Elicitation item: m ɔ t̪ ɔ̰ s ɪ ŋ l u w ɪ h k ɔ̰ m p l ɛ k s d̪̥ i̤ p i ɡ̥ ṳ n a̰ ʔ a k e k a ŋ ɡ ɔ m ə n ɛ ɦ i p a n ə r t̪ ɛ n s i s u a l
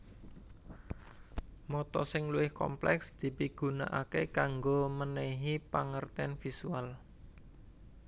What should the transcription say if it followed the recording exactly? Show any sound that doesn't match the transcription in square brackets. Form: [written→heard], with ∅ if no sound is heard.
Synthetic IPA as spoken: m ɔ t̪ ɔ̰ s ɪ ŋ l u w ɪ h k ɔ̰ m p l ɛ k s d̪̥ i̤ p i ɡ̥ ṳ n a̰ ʔ a k e k a ŋ ɡ [ɔ→o] m ə n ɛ ɦ i p a [n→ŋ] ə r t̪ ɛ n [s→f] i s u a l

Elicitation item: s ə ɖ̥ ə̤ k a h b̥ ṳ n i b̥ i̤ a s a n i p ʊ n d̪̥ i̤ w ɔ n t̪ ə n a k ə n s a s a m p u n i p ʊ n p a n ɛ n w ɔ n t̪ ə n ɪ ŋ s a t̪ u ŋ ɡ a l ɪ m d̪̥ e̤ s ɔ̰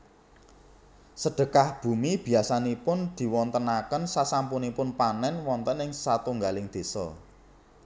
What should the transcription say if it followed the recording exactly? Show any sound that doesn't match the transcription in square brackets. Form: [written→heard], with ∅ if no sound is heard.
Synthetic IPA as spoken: s ə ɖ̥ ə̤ k a h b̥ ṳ [n→m] i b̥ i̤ a s a n i p ʊ n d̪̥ i̤ w ɔ n t̪ ə n a k ə n s a s a m p u n i p ʊ n p a n ɛ n w ɔ n t̪ ə n ɪ ŋ s a t̪ u ŋ ɡ a l ɪ [m→ŋ] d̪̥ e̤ s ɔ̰

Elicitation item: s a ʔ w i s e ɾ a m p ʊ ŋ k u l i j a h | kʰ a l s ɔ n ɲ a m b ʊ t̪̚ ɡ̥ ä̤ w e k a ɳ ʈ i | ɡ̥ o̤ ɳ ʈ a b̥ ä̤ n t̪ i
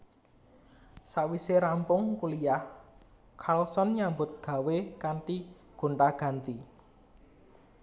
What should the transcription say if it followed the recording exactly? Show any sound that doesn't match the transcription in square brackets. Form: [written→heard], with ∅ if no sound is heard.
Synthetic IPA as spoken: s a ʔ w i s e ɾ a m p ʊ ŋ k u l i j a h | kʰ a l s ɔ n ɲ a m b ʊ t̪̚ ɡ̥ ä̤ w e k a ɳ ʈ i | ɡ̥ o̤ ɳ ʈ a [b̥→ɡ̥] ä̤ n t̪ i

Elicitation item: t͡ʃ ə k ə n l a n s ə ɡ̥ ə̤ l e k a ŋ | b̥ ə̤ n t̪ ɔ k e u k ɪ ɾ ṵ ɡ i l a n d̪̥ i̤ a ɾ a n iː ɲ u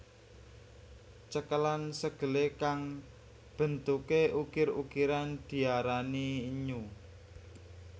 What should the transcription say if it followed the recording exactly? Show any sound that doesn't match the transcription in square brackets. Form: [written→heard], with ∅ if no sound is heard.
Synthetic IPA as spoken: t͡ʃ ə k ə [n→∅] l a n s ə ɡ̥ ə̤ l e k a ŋ | b̥ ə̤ n t̪ [ɔ→u] k e u k ɪ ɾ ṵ [ɡ→k] i [l→ɾ] a n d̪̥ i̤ a ɾ a n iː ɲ u

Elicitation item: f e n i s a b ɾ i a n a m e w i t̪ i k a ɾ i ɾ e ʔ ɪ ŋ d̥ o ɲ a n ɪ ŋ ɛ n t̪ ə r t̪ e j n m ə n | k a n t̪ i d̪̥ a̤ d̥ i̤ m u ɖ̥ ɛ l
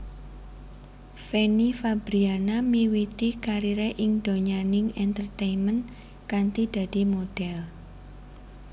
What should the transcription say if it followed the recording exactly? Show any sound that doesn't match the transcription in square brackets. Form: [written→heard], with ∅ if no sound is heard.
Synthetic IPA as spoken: f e n i [s→f] a b ɾ i a n a m [e→i] w i t̪ i k a ɾ i ɾ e ʔ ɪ ŋ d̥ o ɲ a n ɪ ŋ ɛ n t̪ ə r t̪ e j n m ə n | k a n t̪ i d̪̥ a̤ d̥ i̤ m [u→o] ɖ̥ ɛ l

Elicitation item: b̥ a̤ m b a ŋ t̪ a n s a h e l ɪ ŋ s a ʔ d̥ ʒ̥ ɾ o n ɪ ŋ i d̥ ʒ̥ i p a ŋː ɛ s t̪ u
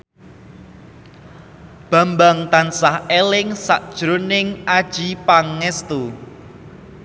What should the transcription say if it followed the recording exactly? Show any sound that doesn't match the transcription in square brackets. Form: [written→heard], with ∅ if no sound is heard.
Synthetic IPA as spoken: b̥ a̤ m b a ŋ t̪ a n s a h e l ɪ ŋ s a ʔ d̥ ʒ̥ ɾ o n ɪ ŋ [i→a] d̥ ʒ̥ i p a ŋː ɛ s t̪ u

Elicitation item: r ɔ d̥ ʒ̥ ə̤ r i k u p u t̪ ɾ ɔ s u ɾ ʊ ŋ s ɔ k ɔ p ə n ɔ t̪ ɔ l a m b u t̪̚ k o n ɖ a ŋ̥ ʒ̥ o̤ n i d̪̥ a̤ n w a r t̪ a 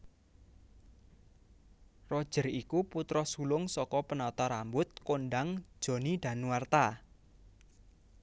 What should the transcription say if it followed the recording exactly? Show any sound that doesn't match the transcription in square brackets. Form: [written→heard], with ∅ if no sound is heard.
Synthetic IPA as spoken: r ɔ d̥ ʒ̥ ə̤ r i k u p u t̪ ɾ ɔ s u [ɾ→l] ʊ ŋ s ɔ k ɔ p ə n ɔ t̪ ɔ [l→ɾ] a m b [u→ʊ] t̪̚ k o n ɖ a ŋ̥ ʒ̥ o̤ n i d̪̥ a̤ n w a r t̪ a

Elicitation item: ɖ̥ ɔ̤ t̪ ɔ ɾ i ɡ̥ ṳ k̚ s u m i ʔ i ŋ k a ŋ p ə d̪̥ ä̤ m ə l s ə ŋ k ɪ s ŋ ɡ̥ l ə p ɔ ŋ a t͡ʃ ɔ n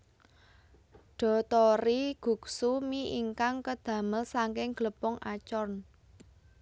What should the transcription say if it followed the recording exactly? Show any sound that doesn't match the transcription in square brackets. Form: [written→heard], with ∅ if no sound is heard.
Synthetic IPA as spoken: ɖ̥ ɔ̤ t̪ ɔ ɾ i ɡ̥ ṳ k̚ s u m i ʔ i ŋ k a ŋ [p→k] ə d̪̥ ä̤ m ə l s [ə→a] ŋ k ɪ [s→∅] ŋ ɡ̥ l ə p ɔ ŋ a t͡ʃ ɔ n

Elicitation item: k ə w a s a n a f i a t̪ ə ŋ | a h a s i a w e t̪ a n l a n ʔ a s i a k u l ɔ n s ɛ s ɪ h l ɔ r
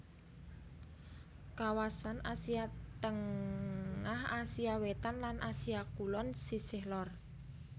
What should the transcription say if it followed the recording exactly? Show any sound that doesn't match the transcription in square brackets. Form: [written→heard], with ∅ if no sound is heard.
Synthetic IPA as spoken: k [ə→a] w a s a n a [f→s] i a t̪ ə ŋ | a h a s i a w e t̪ a n l a n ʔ a s i a k u l ɔ n s [ɛ→i] s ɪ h l ɔ r

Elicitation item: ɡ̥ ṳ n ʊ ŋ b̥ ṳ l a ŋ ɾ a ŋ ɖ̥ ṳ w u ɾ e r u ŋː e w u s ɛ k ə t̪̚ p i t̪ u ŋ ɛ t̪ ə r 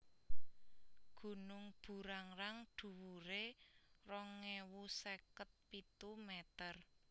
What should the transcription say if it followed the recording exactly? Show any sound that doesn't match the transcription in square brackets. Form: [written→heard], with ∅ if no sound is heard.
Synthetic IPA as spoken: ɡ̥ ṳ n ʊ ŋ b̥ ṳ [l→ɾ] a ŋ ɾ a ŋ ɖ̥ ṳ w u ɾ e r [u→ɔ] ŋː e w u s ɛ k ə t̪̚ p i t̪ u [ŋ→m] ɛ t̪ ə r

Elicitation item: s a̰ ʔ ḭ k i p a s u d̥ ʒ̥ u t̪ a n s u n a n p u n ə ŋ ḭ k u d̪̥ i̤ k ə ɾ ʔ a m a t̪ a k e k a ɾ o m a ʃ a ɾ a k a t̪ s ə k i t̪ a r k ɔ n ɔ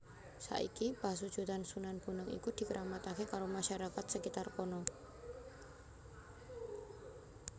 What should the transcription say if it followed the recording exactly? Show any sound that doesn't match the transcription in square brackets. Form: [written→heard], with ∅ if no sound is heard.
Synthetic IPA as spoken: s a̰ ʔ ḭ k i p a s u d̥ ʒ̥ u t̪ a n s u n a n p u n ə ŋ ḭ k u d̪̥ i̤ k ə ɾ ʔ a m a t̪ a k e k a ɾ o m a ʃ a ɾ a k a t̪ s ə k i t̪ a r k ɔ n ɔ

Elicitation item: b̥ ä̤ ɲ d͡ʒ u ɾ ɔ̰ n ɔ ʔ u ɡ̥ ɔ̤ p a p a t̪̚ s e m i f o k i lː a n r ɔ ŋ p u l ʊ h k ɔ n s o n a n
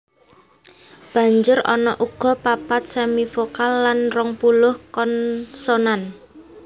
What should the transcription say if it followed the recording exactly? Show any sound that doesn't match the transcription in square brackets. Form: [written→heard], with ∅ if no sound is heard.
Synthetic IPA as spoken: b̥ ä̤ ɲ d͡ʒ [u→ʊ] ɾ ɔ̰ n ɔ ʔ u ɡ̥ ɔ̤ p a p a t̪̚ s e m i f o k [i→a] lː a n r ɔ ŋ p u l ʊ h k ɔ n s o n a n

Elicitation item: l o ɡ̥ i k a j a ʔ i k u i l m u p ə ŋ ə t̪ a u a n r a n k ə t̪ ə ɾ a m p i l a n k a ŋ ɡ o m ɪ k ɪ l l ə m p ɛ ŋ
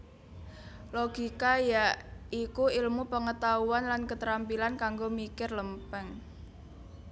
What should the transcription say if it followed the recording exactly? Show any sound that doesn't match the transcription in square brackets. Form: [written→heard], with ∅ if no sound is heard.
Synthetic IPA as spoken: l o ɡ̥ i k a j a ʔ i k u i l m u p ə ŋ ə t̪ a u a n [r→l] a n k ə t̪ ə ɾ a m p i l a n k a ŋ ɡ o m [ɪ→i] k ɪ [l→r] l ə m p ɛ ŋ

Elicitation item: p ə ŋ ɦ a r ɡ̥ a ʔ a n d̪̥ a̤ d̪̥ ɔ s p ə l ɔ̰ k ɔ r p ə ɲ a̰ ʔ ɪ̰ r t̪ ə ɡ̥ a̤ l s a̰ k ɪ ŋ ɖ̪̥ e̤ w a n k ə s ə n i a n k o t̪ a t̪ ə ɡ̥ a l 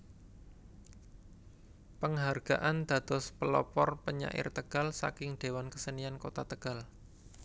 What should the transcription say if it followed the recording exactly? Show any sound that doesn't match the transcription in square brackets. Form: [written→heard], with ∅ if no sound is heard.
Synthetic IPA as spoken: p ə ŋ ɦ a r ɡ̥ a ʔ a n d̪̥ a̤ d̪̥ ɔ s p ə l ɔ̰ [k→p] ɔ r p ə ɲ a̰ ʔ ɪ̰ r t̪ ə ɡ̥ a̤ l s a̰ k ɪ ŋ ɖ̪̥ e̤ w a n k ə s ə n i a n k o t̪ a t̪ ə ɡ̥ a l

